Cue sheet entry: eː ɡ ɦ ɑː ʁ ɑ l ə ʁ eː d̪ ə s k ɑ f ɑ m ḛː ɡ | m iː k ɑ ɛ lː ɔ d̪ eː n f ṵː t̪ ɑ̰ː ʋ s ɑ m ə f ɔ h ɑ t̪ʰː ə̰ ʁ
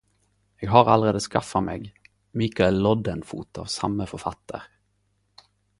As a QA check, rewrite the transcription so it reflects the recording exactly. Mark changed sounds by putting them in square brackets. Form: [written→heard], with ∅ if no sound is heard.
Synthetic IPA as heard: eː ɡ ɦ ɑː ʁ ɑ l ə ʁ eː d̪ ə s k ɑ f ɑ m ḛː ɡ | m iː k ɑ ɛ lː ɔ d̪ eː n f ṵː t̪ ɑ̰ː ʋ s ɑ m ə f ɔ [h→f] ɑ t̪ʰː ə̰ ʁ